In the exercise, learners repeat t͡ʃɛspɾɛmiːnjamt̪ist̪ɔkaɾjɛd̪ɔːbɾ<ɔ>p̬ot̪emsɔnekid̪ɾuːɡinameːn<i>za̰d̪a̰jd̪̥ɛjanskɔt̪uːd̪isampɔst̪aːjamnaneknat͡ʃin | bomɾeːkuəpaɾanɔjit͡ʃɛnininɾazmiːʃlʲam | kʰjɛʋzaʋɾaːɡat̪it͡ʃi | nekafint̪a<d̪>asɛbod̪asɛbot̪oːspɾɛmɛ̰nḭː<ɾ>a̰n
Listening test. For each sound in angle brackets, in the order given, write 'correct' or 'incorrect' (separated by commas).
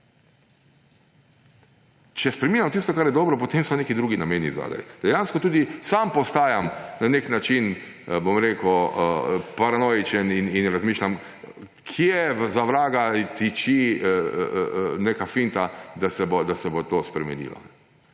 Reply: correct, correct, correct, incorrect